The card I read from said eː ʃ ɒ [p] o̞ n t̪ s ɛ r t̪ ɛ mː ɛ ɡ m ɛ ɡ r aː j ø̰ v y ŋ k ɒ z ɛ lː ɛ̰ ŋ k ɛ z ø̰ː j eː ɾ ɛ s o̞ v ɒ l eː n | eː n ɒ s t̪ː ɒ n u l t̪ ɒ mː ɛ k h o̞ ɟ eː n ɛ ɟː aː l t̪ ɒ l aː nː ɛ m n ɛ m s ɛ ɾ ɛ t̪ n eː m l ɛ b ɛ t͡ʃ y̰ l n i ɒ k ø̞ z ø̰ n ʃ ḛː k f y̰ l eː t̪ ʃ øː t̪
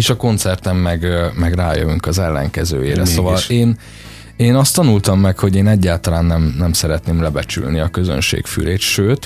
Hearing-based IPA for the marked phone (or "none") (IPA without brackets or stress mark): k